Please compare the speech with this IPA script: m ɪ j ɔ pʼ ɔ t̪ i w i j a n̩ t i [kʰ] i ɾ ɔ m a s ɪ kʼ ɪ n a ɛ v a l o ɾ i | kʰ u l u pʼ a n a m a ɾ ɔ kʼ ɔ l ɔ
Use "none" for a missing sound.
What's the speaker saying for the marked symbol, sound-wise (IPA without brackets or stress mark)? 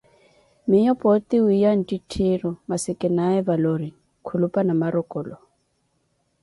tʰ